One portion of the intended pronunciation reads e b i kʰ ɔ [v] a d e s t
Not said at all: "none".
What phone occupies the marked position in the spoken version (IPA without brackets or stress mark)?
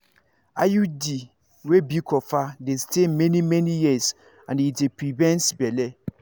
f